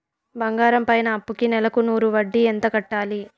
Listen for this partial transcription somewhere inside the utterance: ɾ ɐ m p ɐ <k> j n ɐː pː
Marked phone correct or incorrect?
incorrect